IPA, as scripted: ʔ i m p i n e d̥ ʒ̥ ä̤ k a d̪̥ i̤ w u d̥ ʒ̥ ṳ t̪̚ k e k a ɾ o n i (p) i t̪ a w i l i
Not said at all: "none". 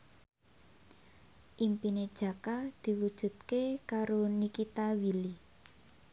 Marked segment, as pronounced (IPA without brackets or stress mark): k